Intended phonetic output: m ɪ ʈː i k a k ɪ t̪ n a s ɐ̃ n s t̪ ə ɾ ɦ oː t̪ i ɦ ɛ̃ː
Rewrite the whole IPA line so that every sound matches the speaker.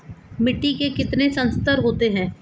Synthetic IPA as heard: m ɪ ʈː i k e k ɪ t̪ n e s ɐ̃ n s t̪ ə ɾ ɦ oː t̪ e ɦ ɛ̃ː

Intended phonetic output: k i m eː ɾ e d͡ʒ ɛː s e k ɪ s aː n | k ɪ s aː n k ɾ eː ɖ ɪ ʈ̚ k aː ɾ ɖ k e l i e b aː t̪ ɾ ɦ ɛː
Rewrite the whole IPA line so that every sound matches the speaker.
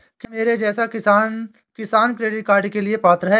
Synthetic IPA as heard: k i m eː ɾ e d͡ʒ ɛː s a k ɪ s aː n | k ɪ s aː n k ɾ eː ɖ ɪ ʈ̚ k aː ɾ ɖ k e l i e p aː t̪ ɾ ɦ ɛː

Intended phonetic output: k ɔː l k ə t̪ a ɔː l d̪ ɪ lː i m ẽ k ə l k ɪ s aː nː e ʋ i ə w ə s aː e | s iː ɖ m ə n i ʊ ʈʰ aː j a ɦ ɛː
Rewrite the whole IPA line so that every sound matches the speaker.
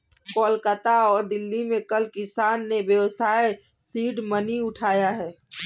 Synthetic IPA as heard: k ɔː l k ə t̪ a ɔː ɾ d̪ ɪ lː i m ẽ k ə l k ɪ s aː nː e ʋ j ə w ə s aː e | s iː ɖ m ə n i ʊ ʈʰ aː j a ɦ ɛː

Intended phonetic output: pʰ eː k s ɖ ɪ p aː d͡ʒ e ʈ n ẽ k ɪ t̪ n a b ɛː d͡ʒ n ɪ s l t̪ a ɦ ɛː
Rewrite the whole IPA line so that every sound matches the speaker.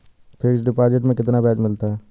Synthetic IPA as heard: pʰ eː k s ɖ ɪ p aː d͡ʒ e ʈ m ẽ k ɪ t̪ n a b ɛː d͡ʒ m ɪ l t̪ a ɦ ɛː

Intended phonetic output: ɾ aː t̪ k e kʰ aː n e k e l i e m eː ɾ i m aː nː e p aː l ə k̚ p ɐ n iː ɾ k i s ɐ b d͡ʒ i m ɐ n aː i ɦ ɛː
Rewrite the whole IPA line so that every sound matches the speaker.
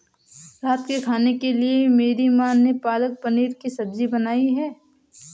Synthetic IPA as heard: ɾ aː t̪ k e kʰ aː n e k e l i e m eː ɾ i m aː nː e p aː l ə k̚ p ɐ n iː ɾ k i s ɐ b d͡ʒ i b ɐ n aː i ɦ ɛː

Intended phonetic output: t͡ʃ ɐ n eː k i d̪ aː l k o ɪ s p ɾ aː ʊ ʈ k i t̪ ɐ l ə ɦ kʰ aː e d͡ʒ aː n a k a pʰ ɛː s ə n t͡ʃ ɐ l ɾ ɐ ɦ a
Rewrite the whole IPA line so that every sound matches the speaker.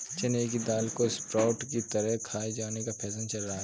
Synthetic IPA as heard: t͡ʃ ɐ n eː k i d̪ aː l k o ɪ s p ɾ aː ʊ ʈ k i t̪ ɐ ɾ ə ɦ kʰ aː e d͡ʒ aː n e k a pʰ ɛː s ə n t͡ʃ ɐ l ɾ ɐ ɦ a

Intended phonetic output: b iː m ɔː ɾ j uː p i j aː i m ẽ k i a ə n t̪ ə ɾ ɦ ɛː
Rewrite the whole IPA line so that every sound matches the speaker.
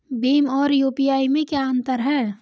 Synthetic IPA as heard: b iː m ɔː ɾ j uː p i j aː i m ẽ k j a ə n t̪ ə ɾ ɦ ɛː

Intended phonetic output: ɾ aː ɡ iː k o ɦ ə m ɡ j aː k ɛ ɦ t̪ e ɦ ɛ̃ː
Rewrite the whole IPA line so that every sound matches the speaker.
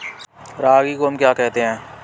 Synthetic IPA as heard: ɾ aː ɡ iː k o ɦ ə m k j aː k ɛ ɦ t̪ e ɦ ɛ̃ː

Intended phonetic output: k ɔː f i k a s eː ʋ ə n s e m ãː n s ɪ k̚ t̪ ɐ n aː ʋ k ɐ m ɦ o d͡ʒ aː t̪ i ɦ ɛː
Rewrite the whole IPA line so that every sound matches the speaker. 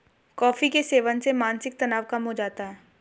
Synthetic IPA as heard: k ɔː f i k e s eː ʋ ə n s e m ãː n s ɪ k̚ t̪ ɐ n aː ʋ k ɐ m ɦ o d͡ʒ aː t̪ a ɦ ɛː

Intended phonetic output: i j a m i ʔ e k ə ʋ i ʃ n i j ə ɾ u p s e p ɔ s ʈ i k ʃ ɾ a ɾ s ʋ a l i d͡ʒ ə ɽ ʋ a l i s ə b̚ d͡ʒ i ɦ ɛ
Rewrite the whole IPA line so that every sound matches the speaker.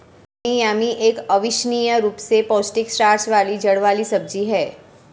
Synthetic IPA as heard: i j a m i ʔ e k ə ʋ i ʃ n i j ə ɾ u p s e p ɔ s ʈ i k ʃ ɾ a ɾ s ʋ a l i d͡ʒ ə ɽ ʋ a l i s ə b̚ d͡ʒ i ɦ ɛ

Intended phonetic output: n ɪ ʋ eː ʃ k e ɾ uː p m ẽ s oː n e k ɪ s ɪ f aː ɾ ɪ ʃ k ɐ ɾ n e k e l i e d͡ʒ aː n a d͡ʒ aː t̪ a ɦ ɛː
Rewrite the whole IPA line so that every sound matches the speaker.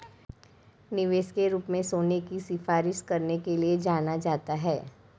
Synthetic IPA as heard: n ɪ ʋ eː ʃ k e ɾ uː p m ẽ s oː n e k i s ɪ f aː ɾ ɪ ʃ k ɐ ɾ n e k e l i e d͡ʒ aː n a d͡ʒ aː t̪ a ɦ ɛː

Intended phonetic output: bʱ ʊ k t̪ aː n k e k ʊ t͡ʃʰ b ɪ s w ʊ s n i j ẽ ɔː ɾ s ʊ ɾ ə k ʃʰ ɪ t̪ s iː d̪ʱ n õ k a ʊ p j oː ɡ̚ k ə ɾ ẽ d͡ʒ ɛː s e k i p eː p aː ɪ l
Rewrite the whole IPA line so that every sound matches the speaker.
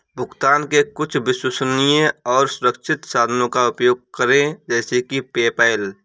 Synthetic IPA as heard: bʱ ʊ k t̪ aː n k e k ʊ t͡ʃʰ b ɪ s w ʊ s n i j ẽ ɔː ɾ s ʊ ɾ ə k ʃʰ ɪ t̪ s aː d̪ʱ n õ k a ʊ p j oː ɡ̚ k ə ɾ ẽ d͡ʒ ɛː s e k i p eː p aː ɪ l

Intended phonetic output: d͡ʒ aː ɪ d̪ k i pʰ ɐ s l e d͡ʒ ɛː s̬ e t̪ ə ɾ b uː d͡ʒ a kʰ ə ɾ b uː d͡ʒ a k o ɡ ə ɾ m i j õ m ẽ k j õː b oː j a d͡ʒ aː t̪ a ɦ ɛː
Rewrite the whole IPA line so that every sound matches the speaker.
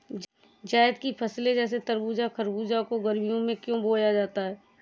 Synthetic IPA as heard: d͡ʒ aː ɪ d̪ k i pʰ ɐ s l e d͡ʒ ɛː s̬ e t̪ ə ɾ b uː d͡ʒ a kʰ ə ɾ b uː d͡ʒ a k o ɡ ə ɾ m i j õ m ẽ k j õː b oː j a d͡ʒ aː t̪ a ɦ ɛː

